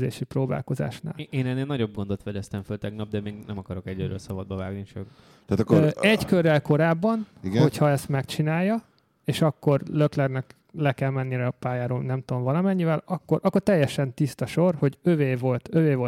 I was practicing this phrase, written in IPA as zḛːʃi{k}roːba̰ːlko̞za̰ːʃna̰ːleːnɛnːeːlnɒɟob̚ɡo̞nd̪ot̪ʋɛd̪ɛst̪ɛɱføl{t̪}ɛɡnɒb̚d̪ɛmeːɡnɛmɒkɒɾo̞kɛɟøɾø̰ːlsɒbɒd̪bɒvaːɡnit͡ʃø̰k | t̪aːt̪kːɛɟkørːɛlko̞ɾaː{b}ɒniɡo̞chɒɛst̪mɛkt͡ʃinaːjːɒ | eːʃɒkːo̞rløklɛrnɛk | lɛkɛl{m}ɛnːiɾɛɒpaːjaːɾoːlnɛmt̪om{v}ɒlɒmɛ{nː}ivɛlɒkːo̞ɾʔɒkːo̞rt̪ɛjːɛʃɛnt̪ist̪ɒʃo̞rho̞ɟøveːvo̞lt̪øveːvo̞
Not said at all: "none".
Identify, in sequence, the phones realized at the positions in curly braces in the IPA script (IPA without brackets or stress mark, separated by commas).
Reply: p, t̪, bː, m, v, ɲː